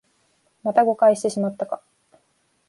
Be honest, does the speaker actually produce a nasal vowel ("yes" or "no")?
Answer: no